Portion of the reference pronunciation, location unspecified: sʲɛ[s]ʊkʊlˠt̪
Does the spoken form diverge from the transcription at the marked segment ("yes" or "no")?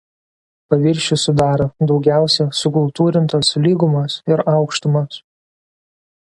no